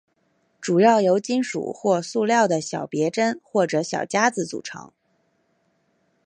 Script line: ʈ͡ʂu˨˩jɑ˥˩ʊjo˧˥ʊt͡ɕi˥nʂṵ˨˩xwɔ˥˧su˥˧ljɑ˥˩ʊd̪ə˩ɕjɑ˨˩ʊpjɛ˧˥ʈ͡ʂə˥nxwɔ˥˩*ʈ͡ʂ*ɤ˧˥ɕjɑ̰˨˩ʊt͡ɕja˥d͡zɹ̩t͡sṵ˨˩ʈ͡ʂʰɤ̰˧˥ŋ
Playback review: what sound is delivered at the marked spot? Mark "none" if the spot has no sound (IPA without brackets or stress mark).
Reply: ʈ͡ʂ